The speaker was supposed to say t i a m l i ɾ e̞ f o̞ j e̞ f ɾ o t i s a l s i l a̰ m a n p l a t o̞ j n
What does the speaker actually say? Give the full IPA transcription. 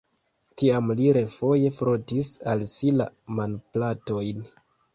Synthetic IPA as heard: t i a m l i ɾ e̞ f o̞ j e̞ f ɾ o t i s a l s i l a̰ m a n p l a t o̞ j n